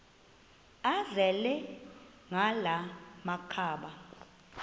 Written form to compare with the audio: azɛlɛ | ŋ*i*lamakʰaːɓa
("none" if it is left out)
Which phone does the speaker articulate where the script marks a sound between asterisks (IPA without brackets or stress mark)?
a